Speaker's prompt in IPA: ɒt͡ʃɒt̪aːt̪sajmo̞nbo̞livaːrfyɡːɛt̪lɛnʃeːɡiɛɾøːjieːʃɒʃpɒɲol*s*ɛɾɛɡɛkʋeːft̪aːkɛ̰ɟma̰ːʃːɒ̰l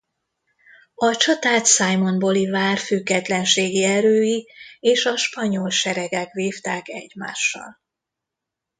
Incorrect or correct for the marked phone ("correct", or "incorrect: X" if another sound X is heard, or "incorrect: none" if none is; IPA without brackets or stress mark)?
incorrect: ʃ